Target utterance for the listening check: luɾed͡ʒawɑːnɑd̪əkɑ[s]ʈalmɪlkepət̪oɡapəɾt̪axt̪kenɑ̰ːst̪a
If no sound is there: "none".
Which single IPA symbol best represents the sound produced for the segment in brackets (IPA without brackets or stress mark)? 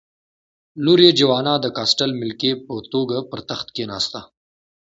s